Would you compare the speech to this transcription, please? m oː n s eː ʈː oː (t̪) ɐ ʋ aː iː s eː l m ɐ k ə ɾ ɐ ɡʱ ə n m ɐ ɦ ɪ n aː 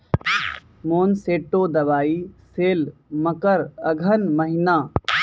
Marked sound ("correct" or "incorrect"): incorrect